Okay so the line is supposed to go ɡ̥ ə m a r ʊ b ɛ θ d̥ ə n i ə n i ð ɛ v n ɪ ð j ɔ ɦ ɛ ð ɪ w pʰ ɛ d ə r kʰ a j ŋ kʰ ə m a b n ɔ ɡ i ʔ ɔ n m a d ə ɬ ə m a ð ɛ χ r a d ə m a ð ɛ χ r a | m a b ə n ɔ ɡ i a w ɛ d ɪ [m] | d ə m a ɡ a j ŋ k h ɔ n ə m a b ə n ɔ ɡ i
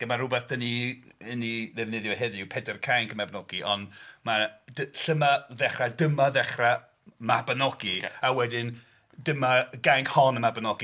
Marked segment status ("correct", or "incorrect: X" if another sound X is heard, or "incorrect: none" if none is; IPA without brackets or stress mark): incorrect: n